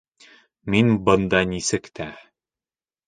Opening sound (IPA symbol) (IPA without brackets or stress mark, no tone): m